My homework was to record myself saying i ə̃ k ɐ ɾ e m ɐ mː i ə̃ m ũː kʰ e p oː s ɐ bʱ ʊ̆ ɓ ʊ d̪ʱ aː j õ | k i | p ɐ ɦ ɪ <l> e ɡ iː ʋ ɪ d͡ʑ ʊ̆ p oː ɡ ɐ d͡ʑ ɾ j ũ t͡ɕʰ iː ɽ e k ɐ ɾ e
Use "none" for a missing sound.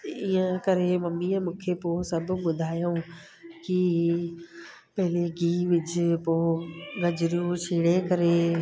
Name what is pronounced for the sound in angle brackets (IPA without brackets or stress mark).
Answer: l